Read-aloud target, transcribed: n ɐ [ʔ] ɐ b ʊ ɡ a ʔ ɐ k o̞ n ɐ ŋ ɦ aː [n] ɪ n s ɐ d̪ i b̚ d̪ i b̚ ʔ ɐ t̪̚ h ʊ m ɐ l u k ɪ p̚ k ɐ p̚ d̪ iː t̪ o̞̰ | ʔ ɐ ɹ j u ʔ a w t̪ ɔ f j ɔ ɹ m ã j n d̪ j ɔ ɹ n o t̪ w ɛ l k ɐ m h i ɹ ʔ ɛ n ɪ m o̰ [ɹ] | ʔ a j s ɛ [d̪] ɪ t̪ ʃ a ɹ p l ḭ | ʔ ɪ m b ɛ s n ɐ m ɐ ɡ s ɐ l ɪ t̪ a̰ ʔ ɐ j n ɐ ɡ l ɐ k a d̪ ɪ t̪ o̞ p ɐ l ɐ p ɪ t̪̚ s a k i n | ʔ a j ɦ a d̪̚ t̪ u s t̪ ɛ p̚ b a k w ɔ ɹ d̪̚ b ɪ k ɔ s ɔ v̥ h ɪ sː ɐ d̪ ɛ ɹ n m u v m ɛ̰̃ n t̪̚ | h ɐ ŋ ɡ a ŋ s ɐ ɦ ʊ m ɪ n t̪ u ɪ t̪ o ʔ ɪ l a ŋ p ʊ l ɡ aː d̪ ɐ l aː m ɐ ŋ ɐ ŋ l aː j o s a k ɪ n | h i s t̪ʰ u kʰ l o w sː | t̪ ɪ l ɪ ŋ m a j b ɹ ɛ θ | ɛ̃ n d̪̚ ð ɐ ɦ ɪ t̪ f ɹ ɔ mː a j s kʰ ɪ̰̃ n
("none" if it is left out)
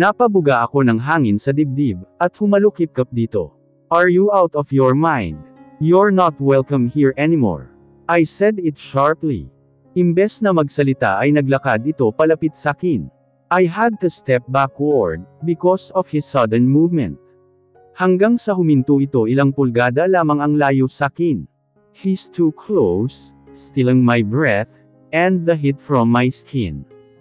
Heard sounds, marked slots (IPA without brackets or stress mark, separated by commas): p, ŋ, ɹ, d̪